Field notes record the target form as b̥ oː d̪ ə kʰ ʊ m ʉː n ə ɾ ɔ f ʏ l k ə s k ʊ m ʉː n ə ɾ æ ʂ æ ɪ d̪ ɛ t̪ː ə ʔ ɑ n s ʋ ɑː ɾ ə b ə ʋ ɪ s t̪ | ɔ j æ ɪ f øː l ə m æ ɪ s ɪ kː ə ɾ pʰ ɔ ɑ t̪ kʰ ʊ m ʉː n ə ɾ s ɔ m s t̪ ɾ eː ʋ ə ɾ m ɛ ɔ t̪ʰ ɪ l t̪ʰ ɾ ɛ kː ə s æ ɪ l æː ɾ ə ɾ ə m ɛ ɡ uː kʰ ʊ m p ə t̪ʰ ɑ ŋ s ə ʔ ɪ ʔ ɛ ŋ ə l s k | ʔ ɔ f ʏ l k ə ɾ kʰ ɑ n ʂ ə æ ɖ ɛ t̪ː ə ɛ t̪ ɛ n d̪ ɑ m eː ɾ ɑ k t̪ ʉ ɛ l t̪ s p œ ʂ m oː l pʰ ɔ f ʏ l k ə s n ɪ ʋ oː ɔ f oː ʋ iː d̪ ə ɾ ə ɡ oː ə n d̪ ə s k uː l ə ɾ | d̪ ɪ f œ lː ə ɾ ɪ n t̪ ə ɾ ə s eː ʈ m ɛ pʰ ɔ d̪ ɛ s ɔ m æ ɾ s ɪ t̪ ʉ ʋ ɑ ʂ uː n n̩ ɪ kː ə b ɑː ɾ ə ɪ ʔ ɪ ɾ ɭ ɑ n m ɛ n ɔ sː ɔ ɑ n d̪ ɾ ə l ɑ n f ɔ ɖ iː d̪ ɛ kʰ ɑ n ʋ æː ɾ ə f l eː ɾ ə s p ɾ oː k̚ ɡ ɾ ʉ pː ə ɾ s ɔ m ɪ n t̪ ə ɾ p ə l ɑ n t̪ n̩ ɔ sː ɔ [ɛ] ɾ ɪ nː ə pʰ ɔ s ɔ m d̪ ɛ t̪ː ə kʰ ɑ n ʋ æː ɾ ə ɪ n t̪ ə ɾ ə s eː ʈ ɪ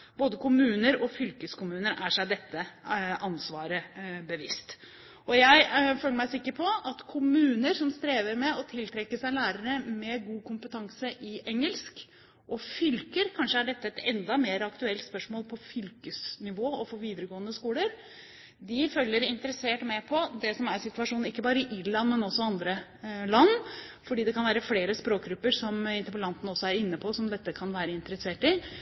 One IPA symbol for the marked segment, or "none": æ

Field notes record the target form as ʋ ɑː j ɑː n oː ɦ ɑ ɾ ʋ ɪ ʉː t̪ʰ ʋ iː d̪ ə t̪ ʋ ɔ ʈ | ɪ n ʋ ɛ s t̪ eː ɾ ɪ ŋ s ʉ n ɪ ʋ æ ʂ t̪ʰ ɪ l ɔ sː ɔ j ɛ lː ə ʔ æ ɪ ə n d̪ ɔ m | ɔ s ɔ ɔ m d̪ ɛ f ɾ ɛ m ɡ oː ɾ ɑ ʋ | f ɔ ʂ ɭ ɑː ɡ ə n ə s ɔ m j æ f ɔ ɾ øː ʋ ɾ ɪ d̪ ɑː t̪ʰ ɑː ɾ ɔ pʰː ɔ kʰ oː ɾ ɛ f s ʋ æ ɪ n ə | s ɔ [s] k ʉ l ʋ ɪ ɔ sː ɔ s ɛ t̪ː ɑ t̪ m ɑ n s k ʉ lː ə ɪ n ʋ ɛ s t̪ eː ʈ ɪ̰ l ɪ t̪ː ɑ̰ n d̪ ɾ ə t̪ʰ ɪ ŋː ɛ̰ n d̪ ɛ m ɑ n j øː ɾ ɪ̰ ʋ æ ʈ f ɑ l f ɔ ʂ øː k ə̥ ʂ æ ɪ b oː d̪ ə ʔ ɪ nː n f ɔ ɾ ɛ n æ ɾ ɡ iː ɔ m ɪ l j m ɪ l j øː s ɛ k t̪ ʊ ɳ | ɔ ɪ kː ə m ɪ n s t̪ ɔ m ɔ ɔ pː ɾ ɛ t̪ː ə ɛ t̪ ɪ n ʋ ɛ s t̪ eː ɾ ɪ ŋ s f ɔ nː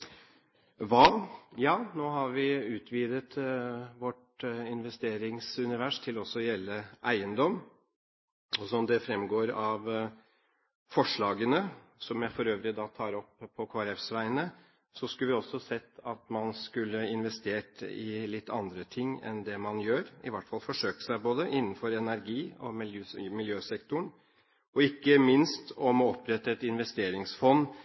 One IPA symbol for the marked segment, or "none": s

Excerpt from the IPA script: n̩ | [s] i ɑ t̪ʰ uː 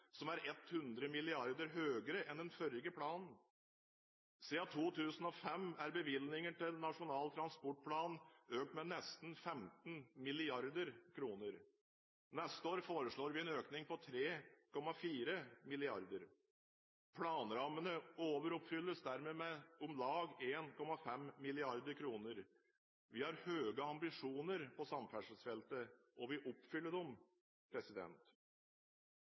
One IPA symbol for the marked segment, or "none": s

